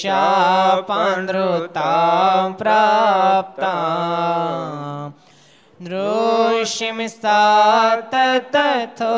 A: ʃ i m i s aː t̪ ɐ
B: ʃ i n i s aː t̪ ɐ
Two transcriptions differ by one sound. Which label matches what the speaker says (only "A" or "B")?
A